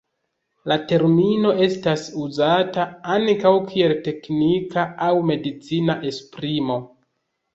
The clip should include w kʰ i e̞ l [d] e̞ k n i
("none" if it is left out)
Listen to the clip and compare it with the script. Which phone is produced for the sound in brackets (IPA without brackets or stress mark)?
t